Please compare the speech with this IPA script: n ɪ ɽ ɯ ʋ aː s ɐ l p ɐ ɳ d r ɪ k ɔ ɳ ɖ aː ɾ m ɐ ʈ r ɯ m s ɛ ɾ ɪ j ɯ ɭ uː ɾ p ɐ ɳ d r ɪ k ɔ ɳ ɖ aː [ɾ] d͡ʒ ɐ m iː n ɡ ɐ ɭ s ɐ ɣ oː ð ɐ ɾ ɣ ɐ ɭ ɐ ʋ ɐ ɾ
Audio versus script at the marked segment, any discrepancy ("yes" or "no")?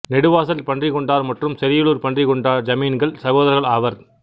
no